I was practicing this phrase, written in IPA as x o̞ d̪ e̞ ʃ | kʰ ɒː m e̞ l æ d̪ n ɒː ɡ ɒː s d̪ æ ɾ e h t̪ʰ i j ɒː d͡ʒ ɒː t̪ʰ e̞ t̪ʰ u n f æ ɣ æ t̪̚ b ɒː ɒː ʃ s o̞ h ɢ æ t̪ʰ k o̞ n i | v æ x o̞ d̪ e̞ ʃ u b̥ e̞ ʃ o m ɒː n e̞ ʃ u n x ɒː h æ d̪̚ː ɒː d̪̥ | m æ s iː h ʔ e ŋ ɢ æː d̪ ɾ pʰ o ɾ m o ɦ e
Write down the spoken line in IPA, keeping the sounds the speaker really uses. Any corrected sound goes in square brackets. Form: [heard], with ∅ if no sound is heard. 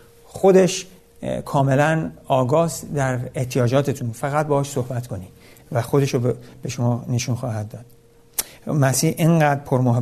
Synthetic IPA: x o̞ d̪ e̞ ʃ | kʰ ɒː m e̞ l æ [∅] n ɒː ɡ ɒː s d̪ æ ɾ e h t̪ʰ i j ɒː d͡ʒ ɒː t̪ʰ e̞ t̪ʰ u n f æ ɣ æ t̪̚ b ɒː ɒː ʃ s o̞ h [b] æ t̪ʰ k o̞ n i | v æ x o̞ d̪ e̞ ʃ [o] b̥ e̞ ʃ o m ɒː n e̞ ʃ u n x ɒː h æ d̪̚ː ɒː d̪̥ | m æ s iː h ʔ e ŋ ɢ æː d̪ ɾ pʰ o ɾ m o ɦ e